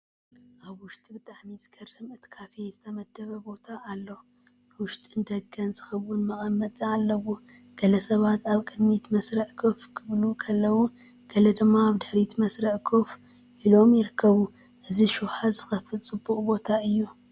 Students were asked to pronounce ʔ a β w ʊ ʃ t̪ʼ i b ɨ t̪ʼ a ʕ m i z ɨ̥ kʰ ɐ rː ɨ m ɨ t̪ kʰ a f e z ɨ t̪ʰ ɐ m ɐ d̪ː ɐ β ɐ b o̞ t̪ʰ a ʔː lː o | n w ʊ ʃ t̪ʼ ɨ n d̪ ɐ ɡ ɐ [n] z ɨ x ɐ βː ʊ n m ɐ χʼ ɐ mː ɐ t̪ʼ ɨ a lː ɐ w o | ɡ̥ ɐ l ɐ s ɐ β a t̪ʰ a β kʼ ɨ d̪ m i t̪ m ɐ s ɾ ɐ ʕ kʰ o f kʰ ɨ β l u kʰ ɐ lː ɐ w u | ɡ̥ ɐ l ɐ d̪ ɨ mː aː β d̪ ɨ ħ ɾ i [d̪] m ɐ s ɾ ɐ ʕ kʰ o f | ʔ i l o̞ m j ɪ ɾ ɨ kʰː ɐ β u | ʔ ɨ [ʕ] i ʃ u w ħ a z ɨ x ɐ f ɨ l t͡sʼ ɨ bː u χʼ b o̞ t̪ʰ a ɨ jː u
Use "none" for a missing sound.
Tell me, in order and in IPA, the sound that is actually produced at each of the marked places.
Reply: n, t̪, z

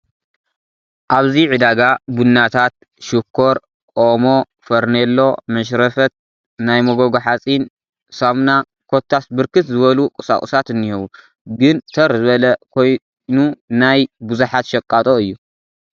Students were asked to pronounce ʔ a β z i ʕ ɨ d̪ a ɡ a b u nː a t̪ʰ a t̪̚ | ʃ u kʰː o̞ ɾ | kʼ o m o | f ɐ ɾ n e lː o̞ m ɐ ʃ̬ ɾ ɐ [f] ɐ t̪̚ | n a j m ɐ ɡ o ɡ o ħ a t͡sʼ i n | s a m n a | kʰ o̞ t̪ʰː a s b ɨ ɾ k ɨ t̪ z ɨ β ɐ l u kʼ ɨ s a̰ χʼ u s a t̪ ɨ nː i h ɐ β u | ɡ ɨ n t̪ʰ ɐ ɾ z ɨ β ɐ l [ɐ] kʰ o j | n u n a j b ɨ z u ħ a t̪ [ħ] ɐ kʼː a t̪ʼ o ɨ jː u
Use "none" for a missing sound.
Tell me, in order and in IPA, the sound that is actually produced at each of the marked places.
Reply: f, ɐ, ʃ

